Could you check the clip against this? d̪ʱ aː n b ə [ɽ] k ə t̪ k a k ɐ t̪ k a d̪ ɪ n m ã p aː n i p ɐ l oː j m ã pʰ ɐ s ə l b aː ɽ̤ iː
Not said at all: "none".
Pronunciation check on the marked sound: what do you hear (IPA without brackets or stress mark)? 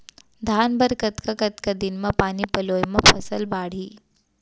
ɾ